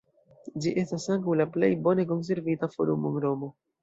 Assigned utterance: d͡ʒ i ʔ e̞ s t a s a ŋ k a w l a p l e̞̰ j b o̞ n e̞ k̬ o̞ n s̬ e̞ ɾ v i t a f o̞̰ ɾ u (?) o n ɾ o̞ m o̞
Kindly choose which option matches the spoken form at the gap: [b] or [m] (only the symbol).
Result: m